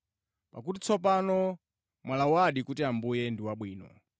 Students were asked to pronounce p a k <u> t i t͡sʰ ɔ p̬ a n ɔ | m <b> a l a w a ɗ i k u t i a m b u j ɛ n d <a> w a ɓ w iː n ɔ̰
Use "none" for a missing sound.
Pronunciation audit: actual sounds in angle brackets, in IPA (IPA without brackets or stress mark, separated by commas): u, w, i